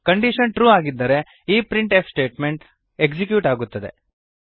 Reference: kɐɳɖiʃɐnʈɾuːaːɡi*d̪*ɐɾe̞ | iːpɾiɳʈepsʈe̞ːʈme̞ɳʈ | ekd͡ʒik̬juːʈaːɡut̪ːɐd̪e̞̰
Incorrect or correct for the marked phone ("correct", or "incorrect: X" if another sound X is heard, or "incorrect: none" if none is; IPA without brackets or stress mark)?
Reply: incorrect: d̪ː